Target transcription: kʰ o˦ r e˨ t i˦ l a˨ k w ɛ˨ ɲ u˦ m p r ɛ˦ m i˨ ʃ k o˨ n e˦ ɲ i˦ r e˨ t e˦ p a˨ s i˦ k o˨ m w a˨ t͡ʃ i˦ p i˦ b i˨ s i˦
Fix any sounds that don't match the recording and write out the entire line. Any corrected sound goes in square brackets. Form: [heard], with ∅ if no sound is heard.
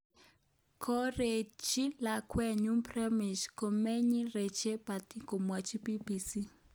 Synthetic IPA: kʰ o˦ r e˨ [t͡ʃ] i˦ l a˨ k w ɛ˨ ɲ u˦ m p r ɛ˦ m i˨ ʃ k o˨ [m] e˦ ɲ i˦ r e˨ [t͡ʃ] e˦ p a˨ [t] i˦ k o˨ m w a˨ t͡ʃ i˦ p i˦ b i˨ s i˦